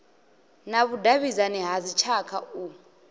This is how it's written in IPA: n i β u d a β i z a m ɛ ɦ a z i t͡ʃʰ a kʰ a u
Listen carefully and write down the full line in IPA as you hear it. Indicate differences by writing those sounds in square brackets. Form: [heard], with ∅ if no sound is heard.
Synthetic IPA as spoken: n [a] β u d a β i z a [n] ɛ ɦ a z i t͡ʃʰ a kʰ a u